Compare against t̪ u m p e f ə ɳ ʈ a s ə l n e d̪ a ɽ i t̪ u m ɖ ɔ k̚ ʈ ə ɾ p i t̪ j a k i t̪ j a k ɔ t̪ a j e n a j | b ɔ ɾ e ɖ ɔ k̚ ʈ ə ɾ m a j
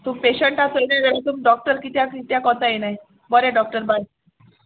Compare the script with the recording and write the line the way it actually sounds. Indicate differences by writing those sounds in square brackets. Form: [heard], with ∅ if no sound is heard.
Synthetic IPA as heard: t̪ u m p e [ɕ] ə ɳ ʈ a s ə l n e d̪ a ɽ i t̪ u m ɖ ɔ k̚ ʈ ə ɾ [k] i t̪ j a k i t̪ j a k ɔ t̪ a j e n a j | b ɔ ɾ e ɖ ɔ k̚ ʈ ə ɾ [b] a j